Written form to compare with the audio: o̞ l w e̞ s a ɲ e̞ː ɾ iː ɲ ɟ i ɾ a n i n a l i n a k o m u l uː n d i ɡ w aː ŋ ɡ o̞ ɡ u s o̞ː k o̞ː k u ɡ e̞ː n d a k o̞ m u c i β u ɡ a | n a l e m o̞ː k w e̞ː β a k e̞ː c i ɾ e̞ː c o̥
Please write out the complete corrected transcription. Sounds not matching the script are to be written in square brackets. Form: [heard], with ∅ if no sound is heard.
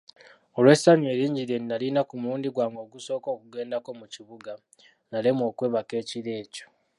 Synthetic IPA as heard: o̞ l w e̞ s a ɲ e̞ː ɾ iː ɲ ɟ i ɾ [e] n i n a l i n a k [u] m u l uː n d i ɡ w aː ŋ ɡ o̞ ɡ u s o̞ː k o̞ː k u ɡ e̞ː n d a k o̞ m u c i β u ɡ a | n a l e m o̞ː k w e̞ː β a k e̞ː c i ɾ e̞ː c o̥

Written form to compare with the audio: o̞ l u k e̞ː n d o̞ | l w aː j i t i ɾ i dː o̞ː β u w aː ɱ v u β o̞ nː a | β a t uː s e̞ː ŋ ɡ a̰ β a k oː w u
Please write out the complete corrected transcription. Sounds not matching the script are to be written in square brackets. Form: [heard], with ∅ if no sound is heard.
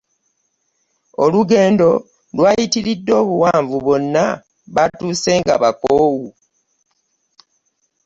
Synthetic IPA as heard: o̞ l u [ɡ] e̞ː n d o̞ | l w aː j i t i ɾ i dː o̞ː β u w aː ɱ v u β o̞ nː a | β a t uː s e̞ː ŋ ɡ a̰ β a k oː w u

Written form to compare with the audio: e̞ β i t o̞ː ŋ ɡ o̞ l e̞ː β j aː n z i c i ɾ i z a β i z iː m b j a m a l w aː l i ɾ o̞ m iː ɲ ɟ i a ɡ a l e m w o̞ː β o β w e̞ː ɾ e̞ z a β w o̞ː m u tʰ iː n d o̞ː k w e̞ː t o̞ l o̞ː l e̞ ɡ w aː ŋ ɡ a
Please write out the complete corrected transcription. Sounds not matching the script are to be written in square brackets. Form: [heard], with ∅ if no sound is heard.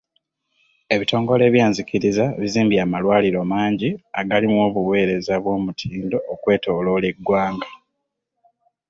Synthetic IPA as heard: e̞ β i t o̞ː ŋ ɡ o̞ l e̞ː β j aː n z i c i ɾ i z a β i z iː m b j a m a l w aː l i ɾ o̞ m [aː] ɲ ɟ i a ɡ a l [i] m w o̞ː β [u] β w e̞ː ɾ e̞ z a β w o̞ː m u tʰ iː n d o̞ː k w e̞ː t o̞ l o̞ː l e̞ ɡ w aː ŋ ɡ a

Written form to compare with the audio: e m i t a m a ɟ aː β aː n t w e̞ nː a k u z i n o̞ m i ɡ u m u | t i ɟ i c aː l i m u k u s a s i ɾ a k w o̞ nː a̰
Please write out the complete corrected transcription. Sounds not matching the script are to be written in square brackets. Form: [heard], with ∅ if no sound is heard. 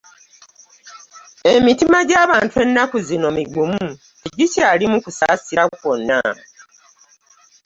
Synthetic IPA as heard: e m i t [i] m a ɟ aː β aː n t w e̞ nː a k u z i n o̞ m i ɡ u m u | t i ɟ i c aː l i m u k u s a s i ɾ a k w o̞ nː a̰

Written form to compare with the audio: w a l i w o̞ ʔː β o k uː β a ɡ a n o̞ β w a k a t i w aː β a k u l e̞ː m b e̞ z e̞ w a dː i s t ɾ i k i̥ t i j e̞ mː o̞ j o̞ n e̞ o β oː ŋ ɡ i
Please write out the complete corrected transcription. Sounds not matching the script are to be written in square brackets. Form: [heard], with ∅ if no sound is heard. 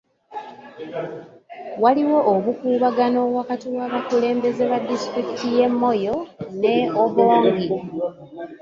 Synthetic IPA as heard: w a l i w o̞ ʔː β [u] k uː β a ɡ a n o̞ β w a k a t i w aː β a k u l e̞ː m b e̞ z e̞ [β] a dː i s t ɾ i k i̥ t i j e̞ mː o̞ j o̞ n e̞ o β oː ŋ ɡ i

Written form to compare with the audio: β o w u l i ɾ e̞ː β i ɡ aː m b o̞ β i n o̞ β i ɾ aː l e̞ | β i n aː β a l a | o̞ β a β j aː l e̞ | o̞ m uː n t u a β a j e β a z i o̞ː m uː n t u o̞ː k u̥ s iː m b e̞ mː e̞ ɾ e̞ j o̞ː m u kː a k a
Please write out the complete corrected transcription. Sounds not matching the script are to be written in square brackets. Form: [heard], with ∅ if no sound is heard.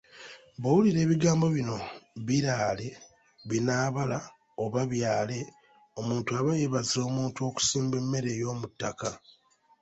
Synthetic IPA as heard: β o w u l i ɾ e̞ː β i ɡ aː m b o̞ β i n o̞ β i ɾ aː l e̞ | β i n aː β a l a | o̞ β a β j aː l e̞ | o̞ m uː n t u a β a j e β a z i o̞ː m uː n t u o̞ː k u̥ s iː m b e̞ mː e̞ ɾ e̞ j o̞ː m u [tː] a k a

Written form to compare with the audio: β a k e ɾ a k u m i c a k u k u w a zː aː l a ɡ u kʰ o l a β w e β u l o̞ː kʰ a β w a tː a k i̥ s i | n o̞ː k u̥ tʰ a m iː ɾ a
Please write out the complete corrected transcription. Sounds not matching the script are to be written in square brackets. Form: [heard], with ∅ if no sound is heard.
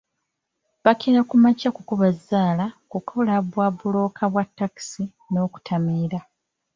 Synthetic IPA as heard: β a k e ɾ a k u m [a] c a k u k u [β] a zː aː l a [k] u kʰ o l a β w [a] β u l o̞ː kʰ a β w a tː a k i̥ s i | n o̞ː k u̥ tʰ a m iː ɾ a

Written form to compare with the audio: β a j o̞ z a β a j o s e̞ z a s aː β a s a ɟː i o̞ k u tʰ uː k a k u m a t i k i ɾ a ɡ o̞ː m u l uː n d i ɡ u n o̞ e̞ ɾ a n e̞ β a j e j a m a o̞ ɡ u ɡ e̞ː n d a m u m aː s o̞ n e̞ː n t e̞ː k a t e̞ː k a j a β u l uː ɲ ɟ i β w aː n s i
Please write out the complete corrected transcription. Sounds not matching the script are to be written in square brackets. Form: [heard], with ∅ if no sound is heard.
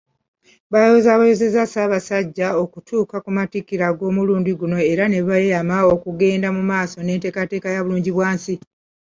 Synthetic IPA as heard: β a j o̞ z a β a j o [z] e̞ z a s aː β a s a ɟː [a] o̞ k u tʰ uː k a k u m a t i k i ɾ a ɡ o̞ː m u l uː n d i ɡ u n o̞ e̞ ɾ a n e̞ β a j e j a m a o̞ [k] u ɡ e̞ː n d a m u m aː s o̞ n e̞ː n t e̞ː k a t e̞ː k a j a β u l uː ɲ ɟ i β w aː n s i

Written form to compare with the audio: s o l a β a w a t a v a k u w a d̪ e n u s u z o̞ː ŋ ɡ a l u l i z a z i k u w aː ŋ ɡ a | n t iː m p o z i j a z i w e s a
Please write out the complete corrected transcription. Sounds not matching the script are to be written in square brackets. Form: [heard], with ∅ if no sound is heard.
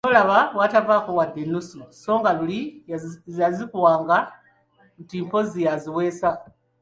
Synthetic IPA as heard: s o l a β a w a t a v a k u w a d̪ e n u s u [s] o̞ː ŋ ɡ a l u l i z a z i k u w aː ŋ ɡ a | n t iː m p o z i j a z i w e s a

